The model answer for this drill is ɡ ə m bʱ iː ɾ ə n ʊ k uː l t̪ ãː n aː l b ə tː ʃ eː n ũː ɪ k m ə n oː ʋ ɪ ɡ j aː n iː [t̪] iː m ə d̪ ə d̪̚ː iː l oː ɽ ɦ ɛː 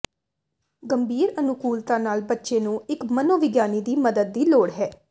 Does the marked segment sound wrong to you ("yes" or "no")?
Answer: yes